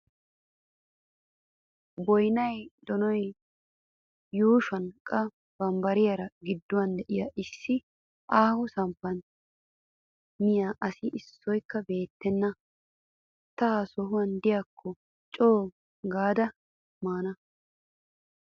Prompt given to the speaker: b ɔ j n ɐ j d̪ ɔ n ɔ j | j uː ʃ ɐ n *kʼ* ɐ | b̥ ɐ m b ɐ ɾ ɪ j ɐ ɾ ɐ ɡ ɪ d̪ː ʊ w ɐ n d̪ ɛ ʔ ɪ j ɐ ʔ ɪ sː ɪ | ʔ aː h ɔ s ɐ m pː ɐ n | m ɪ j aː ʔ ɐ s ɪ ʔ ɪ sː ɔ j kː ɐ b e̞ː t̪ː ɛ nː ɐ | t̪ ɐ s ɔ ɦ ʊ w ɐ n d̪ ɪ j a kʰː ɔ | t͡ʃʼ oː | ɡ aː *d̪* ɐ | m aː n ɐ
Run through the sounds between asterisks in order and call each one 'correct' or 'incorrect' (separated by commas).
correct, correct